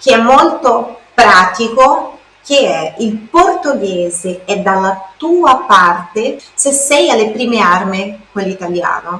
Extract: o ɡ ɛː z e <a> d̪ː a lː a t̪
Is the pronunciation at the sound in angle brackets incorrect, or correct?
incorrect